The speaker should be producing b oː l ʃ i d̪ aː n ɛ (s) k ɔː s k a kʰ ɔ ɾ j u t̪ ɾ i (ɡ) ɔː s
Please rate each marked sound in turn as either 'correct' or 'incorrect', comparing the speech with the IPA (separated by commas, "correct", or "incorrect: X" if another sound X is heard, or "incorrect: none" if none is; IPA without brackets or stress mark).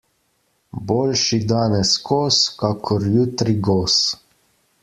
correct, correct